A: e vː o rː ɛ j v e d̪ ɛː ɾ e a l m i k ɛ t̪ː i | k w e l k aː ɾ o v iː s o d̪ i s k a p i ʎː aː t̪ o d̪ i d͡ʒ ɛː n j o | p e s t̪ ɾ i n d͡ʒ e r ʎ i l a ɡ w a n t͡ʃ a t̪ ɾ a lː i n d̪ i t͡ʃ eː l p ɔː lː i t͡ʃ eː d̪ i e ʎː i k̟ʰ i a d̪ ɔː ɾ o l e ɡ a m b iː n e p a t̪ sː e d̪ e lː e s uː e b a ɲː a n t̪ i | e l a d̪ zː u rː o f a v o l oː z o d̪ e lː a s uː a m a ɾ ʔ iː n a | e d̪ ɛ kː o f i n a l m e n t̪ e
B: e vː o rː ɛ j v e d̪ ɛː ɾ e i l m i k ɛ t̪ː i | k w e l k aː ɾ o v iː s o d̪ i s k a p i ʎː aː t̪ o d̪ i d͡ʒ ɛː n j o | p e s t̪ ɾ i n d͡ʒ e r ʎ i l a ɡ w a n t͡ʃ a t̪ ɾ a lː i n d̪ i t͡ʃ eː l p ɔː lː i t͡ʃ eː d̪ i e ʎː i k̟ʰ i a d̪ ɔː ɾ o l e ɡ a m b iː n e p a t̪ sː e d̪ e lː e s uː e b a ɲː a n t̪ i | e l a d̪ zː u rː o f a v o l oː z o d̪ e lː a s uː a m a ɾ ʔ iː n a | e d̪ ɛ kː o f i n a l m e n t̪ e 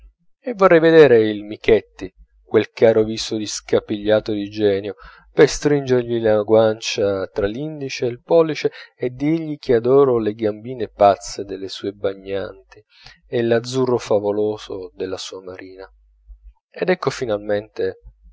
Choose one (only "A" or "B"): B